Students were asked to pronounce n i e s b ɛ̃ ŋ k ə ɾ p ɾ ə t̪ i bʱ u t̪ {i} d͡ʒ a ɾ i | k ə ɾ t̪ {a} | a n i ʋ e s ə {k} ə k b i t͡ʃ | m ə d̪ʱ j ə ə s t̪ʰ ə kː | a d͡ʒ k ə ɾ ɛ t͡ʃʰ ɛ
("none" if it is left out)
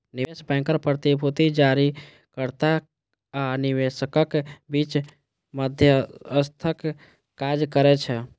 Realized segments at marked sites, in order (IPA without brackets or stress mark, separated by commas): i, a, k